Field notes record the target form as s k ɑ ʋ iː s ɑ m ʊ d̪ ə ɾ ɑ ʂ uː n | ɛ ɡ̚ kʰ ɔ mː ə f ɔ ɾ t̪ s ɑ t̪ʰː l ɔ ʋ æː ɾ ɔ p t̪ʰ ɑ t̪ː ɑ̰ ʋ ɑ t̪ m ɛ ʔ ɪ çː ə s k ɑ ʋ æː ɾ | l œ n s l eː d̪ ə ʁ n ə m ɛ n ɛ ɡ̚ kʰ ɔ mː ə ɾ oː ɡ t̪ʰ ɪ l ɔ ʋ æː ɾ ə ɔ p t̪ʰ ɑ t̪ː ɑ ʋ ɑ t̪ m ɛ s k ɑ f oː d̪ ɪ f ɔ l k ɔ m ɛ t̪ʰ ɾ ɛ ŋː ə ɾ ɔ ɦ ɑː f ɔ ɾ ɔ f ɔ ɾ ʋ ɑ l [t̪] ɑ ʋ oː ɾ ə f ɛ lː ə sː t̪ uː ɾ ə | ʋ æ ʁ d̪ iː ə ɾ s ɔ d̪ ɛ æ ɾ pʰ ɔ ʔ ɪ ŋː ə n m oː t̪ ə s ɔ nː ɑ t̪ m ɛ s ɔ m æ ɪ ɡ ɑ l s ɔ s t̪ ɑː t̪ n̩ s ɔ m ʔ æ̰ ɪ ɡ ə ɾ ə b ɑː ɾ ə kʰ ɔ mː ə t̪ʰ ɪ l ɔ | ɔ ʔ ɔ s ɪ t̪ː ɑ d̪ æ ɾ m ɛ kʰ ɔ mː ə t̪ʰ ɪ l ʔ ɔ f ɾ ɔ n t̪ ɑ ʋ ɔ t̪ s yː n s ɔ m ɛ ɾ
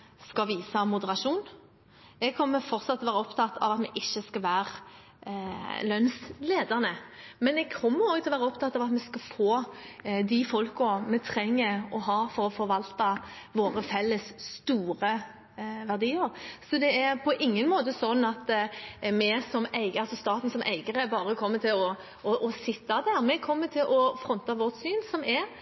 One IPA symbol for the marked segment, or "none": t̪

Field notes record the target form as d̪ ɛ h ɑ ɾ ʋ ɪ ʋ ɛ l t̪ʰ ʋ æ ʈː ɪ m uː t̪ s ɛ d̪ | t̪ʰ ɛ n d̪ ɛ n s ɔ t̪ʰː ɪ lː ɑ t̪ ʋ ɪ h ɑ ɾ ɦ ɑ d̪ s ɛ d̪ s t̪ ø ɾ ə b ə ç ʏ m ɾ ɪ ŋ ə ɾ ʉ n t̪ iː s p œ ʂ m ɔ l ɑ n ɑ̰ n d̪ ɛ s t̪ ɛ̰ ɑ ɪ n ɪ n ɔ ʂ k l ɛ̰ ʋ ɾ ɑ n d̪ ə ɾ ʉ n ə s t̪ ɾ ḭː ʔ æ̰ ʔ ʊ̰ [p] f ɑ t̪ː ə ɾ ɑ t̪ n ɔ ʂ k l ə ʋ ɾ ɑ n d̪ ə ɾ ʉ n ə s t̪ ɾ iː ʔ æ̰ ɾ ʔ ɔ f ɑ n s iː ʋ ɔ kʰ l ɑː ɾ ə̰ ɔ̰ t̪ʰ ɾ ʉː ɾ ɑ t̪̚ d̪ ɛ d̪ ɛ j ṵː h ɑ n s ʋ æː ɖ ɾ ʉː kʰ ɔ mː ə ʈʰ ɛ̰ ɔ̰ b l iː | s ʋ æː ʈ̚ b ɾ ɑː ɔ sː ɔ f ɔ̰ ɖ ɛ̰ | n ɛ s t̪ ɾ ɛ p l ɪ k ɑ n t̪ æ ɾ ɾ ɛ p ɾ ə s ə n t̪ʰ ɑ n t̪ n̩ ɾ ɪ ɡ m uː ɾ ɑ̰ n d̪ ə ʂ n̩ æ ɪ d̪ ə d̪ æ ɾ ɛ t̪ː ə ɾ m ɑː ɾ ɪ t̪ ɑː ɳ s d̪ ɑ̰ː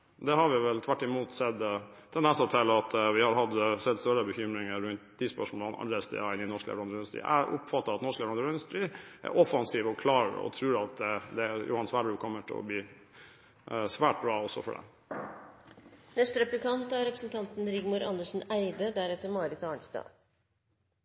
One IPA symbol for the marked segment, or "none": p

